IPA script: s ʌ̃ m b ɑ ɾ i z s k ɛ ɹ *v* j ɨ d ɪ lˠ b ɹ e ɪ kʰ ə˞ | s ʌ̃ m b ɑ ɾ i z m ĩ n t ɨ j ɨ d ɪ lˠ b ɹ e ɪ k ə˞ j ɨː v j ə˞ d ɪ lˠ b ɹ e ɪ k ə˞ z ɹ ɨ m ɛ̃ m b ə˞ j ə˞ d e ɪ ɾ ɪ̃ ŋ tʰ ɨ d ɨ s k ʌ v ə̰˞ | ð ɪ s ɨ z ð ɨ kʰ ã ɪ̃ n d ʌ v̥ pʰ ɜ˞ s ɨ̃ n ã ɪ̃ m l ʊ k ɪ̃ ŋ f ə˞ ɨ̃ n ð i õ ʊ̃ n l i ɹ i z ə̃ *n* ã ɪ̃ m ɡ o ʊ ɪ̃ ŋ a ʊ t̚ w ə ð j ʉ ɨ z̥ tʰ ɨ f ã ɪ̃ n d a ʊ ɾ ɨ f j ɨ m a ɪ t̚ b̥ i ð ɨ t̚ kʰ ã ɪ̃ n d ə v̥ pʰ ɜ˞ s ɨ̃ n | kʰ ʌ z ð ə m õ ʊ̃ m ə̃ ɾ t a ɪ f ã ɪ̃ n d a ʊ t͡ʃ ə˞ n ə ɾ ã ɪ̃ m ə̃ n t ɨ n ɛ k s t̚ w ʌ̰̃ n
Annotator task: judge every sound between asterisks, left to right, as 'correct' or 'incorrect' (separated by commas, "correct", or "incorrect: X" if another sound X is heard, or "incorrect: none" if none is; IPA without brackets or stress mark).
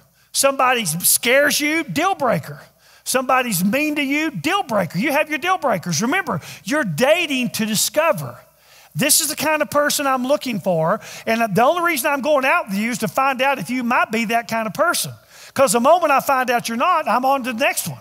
incorrect: z, correct